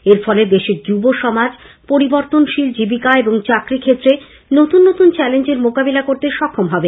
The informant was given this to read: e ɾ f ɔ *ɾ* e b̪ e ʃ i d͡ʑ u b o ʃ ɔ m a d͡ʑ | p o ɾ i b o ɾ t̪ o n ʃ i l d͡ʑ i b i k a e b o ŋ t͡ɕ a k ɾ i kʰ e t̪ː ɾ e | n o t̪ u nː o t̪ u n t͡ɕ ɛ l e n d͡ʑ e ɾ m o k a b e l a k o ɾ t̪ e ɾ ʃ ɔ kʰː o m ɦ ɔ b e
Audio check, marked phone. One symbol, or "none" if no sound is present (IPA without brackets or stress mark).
l